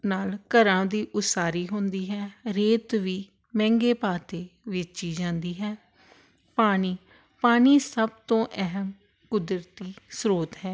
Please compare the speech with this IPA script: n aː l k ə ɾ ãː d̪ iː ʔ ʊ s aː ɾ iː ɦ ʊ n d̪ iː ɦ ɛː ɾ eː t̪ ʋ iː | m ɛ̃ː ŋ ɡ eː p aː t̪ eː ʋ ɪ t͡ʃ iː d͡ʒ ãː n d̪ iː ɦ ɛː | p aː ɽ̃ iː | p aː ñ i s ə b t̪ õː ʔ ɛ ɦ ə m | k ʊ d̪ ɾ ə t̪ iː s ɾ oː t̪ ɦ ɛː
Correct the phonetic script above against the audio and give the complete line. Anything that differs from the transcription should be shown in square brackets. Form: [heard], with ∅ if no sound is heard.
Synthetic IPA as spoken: n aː l k ə ɾ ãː d̪ iː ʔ ʊ s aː ɾ iː ɦ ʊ n d̪ iː ɦ ɛː ɾ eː t̪ ʋ iː | m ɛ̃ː ŋ ɡ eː p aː t̪ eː ʋ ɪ t͡ʃ iː d͡ʒ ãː n d̪ iː ɦ ɛː | p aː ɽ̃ iː | p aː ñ [iː] s ə b t̪ õː ʔ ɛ ɦ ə m | k ʊ d̪ ɾ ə t̪ iː s ɾ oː t̪ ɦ ɛː